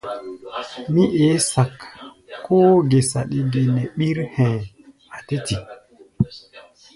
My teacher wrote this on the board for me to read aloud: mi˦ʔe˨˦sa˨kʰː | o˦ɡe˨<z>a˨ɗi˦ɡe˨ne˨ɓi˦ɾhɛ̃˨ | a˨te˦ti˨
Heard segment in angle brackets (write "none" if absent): s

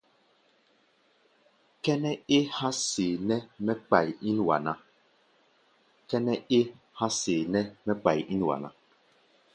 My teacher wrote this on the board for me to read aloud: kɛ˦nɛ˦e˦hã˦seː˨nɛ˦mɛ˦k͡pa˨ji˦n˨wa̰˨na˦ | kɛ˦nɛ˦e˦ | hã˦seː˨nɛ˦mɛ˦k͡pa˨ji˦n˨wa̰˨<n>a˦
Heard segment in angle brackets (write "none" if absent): n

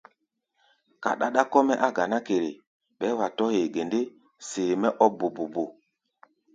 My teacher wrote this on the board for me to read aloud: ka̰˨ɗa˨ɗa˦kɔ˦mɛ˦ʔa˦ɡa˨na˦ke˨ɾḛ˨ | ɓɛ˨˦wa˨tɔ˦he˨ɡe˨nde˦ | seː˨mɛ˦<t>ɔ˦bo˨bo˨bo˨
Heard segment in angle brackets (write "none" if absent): ʔ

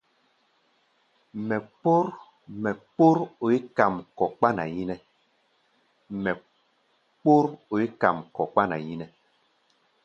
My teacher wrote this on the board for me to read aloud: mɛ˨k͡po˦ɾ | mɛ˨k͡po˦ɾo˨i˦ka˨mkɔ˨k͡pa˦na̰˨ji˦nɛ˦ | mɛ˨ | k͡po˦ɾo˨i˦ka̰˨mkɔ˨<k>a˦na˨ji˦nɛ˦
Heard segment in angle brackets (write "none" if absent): k͡p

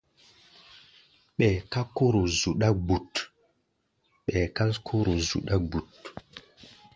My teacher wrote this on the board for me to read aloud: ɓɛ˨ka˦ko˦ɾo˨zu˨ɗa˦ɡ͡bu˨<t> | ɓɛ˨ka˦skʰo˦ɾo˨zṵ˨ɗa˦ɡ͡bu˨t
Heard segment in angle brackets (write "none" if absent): t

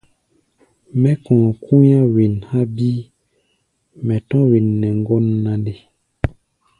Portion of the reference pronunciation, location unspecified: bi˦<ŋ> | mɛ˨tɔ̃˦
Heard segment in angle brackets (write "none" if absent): none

